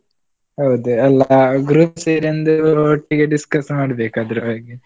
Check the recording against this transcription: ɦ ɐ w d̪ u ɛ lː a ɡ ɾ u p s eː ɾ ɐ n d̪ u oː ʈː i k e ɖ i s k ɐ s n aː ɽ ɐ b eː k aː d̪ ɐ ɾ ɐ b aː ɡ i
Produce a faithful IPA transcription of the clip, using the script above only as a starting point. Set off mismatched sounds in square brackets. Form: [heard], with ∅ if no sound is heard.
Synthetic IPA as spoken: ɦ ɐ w d̪ u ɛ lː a ɡ ɾ u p s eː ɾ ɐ n d̪ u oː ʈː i [ɡ] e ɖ i s k ɐ s [m] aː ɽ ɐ b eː k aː d̪ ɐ ɾ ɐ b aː ɡ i